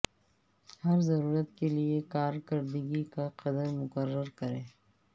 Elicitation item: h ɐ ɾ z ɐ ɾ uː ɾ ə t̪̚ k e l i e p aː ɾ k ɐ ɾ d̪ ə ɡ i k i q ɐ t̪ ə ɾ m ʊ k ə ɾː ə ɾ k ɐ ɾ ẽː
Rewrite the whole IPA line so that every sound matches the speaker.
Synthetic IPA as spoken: h ɐ ɾ z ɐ ɾ uː ɾ ə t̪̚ k e l i e k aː ɾ k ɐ ɾ d̪ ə ɡ i k a q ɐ d̪ ə ɾ m ʊ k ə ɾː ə ɾ k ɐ ɾ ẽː